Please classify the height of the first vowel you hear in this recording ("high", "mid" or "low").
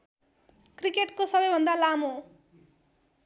high